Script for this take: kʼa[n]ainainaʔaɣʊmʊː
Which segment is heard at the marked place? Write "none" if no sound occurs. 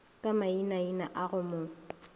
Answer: m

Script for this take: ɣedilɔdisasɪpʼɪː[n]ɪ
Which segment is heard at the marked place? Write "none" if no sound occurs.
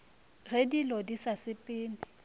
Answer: n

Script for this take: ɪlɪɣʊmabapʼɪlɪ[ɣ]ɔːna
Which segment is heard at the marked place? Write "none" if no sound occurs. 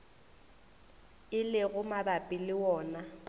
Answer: w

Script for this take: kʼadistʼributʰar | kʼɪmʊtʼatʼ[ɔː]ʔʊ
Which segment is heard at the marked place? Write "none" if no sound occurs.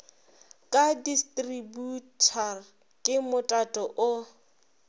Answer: ɔ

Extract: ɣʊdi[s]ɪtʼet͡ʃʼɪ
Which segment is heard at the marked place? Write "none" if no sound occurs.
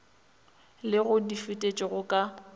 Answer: f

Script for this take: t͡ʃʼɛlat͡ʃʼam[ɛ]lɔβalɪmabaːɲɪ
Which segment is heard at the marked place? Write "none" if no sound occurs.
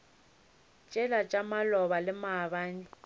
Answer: a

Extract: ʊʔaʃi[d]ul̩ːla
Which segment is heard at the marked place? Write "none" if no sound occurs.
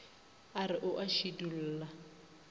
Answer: d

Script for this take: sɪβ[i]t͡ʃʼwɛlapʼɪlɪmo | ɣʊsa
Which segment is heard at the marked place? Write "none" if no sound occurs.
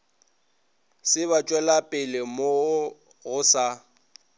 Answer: a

